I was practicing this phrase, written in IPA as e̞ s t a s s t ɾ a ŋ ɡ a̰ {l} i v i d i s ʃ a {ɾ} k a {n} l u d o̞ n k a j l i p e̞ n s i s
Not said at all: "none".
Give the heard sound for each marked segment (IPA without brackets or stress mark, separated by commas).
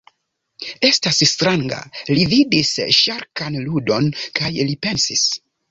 l, ɾ, n